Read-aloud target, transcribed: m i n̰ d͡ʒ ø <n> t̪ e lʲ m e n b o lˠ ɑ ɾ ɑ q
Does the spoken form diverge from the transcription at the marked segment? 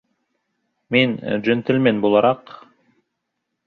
no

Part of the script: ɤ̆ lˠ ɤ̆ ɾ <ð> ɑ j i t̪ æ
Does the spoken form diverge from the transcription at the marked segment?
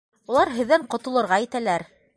yes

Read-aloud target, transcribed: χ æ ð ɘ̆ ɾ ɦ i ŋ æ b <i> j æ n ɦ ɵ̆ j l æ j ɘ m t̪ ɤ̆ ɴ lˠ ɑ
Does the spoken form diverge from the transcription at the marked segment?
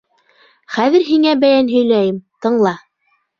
yes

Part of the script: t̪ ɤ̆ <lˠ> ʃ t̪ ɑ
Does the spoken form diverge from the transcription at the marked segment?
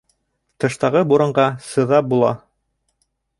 yes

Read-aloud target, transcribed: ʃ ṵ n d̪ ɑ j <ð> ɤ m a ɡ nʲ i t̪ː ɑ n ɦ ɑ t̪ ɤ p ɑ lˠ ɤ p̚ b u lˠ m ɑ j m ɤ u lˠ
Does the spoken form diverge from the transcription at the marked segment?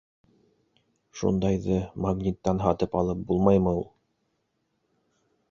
no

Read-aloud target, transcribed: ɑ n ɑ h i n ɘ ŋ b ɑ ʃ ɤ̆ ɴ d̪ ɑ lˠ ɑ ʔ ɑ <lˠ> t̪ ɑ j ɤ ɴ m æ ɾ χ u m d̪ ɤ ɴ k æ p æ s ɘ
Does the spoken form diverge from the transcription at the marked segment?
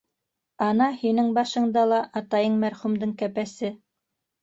yes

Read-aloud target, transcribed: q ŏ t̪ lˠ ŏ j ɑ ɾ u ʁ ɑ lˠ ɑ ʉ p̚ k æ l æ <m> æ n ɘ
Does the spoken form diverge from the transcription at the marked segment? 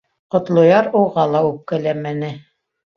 no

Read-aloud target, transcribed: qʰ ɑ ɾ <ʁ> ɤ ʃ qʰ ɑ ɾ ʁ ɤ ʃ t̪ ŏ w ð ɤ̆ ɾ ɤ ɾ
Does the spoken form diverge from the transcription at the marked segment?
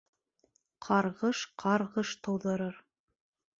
no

